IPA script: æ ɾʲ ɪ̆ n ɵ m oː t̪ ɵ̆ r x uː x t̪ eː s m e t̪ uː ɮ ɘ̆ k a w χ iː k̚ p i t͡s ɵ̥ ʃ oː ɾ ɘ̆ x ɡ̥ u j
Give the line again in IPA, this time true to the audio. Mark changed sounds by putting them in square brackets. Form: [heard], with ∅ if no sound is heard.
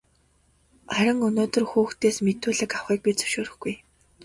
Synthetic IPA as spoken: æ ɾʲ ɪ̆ [ŋ] ɵ [n] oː t̪ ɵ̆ r x uː x t̪ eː s m e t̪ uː ɮ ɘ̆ k a w χ iː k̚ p i t͡s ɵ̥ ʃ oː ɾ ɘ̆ x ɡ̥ u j